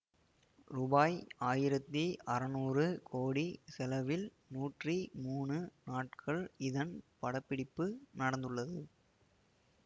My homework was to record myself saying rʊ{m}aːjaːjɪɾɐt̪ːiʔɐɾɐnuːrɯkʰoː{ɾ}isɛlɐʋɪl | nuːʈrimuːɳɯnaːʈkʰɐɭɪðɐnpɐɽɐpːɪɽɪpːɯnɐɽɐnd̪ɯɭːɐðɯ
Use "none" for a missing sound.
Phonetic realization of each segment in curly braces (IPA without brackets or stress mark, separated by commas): b, ɽ